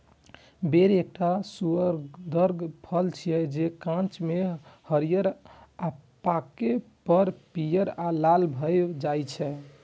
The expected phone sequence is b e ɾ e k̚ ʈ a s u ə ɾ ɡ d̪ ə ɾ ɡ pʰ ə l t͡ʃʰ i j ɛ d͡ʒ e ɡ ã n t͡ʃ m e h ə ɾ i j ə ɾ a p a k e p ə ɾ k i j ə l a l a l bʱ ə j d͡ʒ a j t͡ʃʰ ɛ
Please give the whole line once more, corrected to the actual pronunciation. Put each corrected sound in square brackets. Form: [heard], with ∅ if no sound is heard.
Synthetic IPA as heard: b e ɾ e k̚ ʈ a s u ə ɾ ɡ d̪ ə ɾ ɡ pʰ ə l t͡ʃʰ i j ɛ d͡ʒ e [k] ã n t͡ʃ m e h ə ɾ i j ə ɾ a p a k e p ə ɾ [p] i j ə [ɾ] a l a l bʱ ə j d͡ʒ a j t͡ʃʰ ɛ